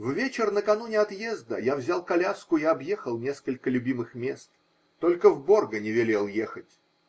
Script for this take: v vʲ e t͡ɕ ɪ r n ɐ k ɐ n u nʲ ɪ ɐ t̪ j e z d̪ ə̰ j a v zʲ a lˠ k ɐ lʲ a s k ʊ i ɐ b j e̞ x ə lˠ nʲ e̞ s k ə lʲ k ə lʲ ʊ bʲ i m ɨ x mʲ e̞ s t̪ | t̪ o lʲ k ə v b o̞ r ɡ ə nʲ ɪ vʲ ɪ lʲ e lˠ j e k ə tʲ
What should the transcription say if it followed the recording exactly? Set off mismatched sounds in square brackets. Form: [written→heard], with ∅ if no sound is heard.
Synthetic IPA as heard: v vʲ e t͡ɕ ɪ r n [ɐ→ə] k ɐ n u nʲ ɪ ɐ t̪ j e z d̪ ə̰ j a v zʲ a lˠ k ɐ lʲ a s k ʊ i ɐ b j e̞ x ə lˠ nʲ e̞ s k ə lʲ k ə lʲ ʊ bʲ i m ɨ x mʲ e̞ s t̪ | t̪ o lʲ k ə v b o̞ r ɡ ə nʲ ɪ vʲ ɪ lʲ e lˠ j e [k→x] ə tʲ